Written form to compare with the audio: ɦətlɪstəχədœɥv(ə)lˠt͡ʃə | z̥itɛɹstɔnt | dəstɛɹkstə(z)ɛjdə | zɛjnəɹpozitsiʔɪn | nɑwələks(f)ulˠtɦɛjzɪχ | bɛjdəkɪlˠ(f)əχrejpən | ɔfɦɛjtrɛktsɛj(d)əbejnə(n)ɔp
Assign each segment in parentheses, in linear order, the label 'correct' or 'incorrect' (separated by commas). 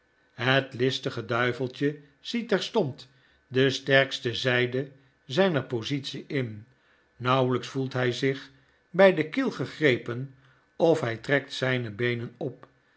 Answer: correct, correct, correct, incorrect, incorrect, correct